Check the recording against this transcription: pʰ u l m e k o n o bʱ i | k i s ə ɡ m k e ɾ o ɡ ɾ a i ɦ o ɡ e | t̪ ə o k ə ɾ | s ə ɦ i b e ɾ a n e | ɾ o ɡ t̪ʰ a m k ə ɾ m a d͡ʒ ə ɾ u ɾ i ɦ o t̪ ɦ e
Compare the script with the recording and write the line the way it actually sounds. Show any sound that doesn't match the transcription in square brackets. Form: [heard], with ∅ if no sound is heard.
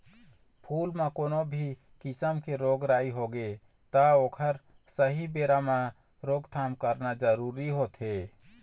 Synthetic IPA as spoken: pʰ u l m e k o n o bʱ i | k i s ə [∅] m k e ɾ o ɡ ɾ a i ɦ o ɡ e | t̪ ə o [kʰ] ə ɾ | s ə ɦ i b e ɾ a [m] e | ɾ o ɡ t̪ʰ a m k ə ɾ [n] a d͡ʒ ə ɾ u ɾ i ɦ o t̪ ɦ e